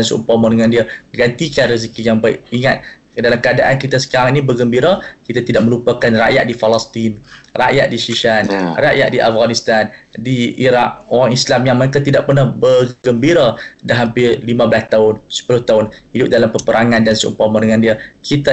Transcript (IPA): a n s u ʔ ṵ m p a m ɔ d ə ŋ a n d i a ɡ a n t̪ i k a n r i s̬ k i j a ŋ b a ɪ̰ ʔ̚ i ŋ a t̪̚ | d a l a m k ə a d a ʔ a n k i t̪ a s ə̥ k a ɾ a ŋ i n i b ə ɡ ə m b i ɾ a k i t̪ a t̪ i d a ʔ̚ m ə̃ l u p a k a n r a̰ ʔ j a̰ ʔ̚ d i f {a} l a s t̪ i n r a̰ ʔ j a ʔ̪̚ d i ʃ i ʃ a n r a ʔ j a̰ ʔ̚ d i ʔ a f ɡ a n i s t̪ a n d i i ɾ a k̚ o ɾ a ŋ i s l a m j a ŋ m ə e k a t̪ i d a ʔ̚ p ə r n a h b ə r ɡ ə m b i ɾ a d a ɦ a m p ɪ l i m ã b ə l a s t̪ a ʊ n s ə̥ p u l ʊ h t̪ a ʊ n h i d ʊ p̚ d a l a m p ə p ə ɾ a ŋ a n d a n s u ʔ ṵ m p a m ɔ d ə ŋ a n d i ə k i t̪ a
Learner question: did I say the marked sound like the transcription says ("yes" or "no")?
yes